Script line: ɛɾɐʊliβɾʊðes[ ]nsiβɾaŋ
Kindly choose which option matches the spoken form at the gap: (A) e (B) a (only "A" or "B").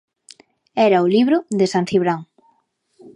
B